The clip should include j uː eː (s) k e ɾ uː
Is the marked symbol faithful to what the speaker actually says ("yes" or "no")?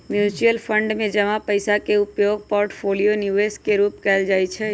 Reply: yes